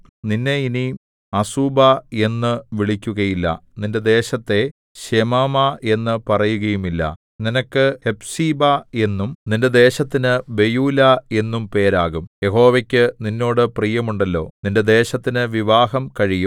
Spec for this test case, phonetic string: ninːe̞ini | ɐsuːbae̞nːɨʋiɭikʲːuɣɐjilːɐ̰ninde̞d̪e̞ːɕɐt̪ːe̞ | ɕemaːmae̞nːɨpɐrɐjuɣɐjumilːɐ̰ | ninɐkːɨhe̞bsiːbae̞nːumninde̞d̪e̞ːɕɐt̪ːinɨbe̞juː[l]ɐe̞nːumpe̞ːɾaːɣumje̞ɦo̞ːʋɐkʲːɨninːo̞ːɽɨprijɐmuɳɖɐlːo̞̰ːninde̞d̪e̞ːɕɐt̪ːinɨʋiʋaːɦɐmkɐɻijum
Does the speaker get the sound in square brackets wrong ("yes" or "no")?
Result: no